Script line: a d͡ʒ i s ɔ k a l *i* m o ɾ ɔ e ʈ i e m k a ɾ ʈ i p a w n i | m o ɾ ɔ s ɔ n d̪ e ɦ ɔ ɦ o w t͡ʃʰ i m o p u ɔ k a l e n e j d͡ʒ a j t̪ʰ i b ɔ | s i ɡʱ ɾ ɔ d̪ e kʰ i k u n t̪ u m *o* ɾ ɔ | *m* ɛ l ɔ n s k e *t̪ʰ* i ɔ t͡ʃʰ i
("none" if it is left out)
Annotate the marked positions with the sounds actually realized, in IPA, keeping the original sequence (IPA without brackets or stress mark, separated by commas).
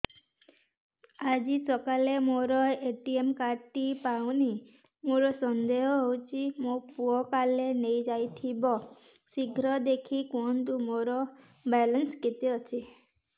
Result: e, o, b, t̪